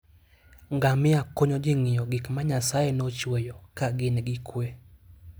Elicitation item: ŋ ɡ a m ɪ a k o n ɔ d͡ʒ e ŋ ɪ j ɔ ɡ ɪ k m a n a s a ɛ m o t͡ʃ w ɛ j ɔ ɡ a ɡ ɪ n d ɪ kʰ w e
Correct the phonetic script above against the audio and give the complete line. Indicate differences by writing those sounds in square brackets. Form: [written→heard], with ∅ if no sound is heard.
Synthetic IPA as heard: ŋ ɡ a m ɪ a k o [n→ɲ] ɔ d͡ʒ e ŋ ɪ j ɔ ɡ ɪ k m a [n→ɲ] a s a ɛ [m→n] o t͡ʃ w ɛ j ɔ [ɡ→k] a ɡ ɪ n [d→ɡ] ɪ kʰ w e